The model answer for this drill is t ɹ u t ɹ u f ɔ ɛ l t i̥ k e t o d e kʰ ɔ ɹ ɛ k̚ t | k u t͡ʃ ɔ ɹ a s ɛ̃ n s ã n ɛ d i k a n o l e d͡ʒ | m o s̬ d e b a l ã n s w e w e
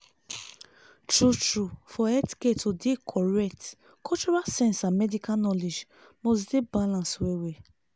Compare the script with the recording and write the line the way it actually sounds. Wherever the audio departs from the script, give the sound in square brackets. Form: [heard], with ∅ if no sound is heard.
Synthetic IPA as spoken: t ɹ u t ɹ u f ɔ ɛ [∅] t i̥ k e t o d e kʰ ɔ ɹ ɛ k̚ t | k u t͡ʃ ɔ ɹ a s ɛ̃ n s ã [m] ɛ d i k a n [ɔ] l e d͡ʒ | m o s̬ d e b a l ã n s w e w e